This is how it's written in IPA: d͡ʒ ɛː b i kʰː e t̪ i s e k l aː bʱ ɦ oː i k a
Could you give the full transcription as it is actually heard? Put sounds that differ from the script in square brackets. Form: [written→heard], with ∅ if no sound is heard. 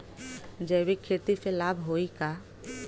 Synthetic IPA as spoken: d͡ʒ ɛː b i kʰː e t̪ i s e [k→∅] l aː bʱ ɦ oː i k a